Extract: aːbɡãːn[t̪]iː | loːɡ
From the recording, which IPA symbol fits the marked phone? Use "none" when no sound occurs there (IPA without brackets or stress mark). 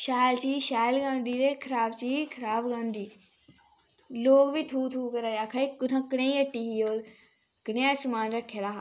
d̪